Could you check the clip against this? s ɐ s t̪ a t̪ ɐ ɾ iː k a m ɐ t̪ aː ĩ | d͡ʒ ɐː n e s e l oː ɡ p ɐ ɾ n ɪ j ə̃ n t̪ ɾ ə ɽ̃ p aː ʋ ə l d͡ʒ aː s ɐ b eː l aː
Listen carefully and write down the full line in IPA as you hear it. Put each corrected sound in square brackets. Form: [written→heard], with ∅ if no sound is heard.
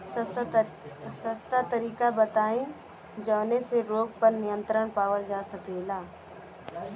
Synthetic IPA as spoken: s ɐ s t̪ a t̪ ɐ ɾ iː k a [m→b] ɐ t̪ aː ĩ | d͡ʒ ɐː n e s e [l→ɾ] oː ɡ p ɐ ɾ n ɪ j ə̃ n t̪ ɾ ə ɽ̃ p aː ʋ ə l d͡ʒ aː s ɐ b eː l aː